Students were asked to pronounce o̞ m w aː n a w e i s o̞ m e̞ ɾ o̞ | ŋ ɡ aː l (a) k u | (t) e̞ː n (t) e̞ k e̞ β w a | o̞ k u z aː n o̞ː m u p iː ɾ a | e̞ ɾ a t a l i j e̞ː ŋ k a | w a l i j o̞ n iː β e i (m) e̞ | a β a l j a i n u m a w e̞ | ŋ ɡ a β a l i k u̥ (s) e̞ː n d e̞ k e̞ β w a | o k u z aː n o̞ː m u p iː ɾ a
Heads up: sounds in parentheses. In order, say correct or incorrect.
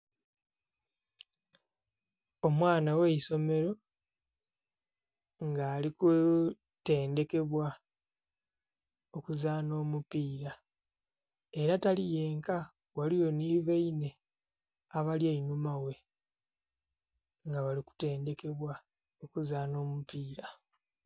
incorrect: i, correct, incorrect: d, incorrect: n, incorrect: t

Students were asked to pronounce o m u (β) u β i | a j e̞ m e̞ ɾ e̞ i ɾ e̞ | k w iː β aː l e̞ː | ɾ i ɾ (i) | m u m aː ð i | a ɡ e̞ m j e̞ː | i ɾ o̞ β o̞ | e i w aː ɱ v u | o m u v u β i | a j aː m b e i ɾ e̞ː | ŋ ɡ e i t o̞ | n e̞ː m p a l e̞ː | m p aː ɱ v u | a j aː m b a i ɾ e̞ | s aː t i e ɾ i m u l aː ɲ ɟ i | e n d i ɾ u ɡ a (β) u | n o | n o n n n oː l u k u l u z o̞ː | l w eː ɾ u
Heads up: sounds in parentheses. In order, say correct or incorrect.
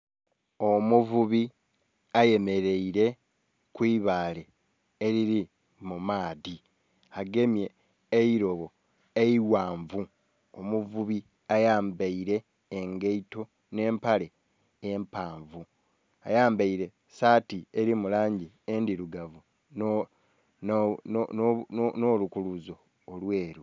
incorrect: v, correct, incorrect: v

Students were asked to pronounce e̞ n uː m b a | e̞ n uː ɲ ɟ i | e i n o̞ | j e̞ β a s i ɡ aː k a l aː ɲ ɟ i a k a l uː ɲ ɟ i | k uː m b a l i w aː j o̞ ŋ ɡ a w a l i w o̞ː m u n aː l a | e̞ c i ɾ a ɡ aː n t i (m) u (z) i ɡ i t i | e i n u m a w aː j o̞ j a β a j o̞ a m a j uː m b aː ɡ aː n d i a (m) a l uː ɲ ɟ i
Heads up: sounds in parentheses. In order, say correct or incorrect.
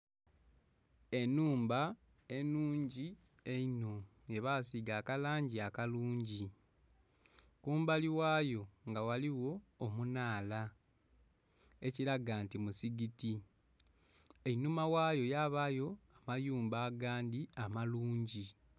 correct, incorrect: s, correct

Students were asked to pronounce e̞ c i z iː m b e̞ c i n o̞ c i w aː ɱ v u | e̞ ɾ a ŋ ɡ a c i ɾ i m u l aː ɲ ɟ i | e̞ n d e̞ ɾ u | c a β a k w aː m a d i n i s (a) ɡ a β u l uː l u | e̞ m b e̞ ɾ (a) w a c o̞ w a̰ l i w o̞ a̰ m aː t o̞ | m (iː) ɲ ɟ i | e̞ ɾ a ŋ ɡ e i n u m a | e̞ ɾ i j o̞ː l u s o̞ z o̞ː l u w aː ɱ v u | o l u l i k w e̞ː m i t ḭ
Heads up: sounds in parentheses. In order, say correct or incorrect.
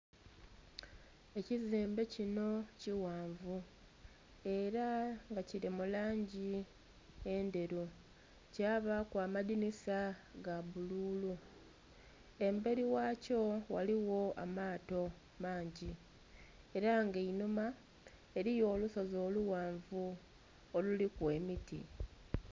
correct, incorrect: i, incorrect: aː

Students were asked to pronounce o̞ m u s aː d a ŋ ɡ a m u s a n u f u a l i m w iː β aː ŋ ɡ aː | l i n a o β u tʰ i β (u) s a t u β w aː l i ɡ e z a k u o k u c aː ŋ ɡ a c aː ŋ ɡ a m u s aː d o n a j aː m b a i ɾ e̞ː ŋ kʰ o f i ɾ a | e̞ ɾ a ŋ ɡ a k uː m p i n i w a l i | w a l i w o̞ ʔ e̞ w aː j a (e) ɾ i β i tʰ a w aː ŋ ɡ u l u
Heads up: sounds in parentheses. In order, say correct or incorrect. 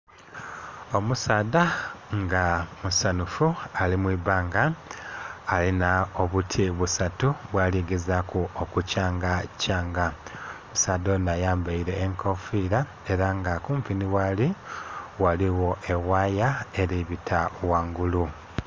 correct, correct

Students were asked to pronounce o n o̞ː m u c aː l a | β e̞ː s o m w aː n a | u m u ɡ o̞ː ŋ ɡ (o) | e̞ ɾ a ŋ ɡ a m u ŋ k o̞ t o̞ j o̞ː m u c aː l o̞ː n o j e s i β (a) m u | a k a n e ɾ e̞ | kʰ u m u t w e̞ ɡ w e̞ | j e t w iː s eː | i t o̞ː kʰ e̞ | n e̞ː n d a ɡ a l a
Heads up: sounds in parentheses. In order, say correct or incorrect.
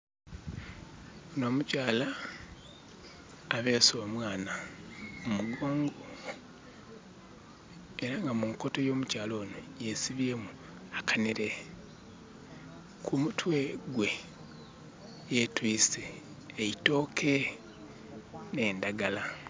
correct, incorrect: e

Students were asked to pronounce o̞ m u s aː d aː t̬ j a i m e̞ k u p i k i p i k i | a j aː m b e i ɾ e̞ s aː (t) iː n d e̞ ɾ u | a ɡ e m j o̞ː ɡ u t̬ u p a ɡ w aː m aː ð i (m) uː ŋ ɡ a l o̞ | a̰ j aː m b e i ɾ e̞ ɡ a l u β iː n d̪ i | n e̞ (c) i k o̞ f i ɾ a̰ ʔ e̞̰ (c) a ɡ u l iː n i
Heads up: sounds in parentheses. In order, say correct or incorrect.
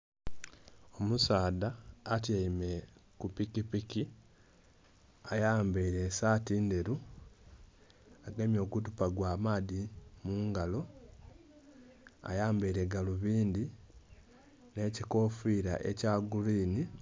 correct, correct, correct, correct

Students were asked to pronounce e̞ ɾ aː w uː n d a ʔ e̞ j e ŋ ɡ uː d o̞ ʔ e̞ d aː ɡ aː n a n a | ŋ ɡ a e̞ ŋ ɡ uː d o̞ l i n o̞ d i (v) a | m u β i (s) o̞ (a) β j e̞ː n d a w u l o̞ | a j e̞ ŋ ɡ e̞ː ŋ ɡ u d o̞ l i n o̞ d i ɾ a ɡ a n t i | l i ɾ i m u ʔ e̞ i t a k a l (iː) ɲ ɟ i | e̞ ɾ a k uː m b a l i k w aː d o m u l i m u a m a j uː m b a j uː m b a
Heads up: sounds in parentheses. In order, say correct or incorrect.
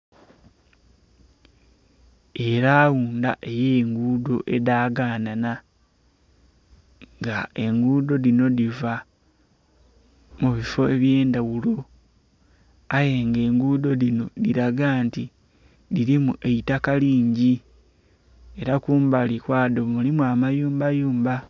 correct, incorrect: f, incorrect: e, correct

